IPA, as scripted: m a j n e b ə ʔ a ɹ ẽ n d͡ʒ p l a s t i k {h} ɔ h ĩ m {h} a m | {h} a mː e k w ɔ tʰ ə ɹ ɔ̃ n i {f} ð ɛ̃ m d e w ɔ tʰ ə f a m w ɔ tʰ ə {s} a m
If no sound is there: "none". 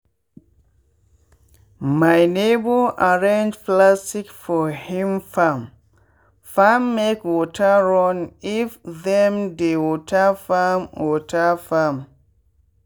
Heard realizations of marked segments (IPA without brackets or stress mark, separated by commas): f, f, f, f, f